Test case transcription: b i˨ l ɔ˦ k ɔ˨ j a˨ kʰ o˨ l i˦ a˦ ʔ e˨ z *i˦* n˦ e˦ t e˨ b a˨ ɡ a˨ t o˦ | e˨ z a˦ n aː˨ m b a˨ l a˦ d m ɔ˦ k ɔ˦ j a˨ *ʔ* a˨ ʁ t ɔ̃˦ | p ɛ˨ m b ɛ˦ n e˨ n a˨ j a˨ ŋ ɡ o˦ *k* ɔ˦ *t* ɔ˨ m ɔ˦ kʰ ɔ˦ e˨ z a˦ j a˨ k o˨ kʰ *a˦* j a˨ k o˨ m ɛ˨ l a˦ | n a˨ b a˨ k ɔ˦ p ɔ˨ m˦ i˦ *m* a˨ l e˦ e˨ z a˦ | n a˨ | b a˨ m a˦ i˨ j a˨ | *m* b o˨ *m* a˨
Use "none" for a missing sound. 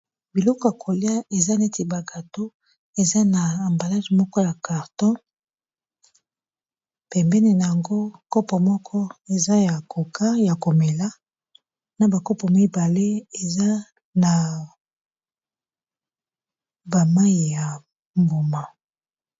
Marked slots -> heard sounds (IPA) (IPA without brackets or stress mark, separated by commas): a˦, k, k, p, a˦, b, m, m